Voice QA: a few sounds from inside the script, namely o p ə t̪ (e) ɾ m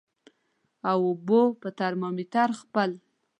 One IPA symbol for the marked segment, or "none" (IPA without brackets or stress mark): a